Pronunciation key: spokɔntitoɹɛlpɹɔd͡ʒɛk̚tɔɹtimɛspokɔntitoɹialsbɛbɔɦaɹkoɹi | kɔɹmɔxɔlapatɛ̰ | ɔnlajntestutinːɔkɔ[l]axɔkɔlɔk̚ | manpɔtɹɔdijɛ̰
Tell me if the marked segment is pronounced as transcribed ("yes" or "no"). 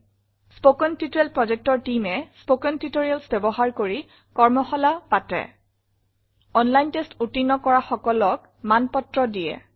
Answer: no